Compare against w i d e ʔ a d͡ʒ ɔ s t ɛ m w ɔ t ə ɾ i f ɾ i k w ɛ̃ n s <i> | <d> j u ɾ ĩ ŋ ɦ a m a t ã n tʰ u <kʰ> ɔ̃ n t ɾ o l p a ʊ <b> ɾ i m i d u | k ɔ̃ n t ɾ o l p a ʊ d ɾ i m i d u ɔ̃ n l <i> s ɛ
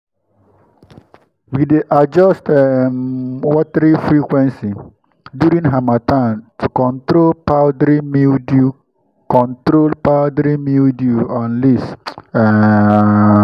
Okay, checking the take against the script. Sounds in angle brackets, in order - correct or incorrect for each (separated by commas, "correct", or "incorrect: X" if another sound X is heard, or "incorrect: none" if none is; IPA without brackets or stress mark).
correct, correct, incorrect: k, incorrect: d, correct